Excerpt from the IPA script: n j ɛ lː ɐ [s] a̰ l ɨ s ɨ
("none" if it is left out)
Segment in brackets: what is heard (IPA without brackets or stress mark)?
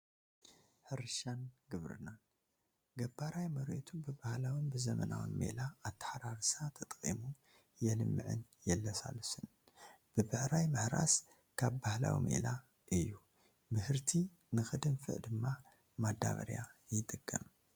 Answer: s